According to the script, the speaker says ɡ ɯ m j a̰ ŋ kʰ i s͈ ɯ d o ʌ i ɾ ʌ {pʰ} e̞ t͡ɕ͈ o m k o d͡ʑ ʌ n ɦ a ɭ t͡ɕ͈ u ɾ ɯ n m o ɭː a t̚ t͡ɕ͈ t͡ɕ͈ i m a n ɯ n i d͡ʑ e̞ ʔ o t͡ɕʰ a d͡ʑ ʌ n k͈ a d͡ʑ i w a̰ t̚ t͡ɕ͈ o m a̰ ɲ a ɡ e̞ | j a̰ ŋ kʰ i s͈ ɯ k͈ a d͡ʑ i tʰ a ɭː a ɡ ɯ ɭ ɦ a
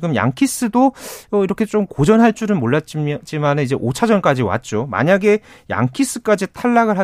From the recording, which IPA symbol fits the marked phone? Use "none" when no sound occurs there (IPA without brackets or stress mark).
kʰ